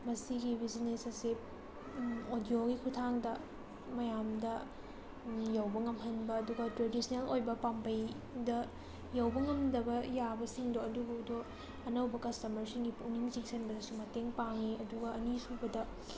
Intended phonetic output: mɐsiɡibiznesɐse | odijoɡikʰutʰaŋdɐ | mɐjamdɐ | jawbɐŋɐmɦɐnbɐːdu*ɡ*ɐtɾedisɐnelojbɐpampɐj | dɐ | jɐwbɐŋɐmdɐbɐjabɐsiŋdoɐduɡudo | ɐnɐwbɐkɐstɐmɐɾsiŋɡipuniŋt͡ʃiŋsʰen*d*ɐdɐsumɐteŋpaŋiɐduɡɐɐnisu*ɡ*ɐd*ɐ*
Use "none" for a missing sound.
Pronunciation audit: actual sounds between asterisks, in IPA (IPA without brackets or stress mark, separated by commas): ɡ, b, b, ɐ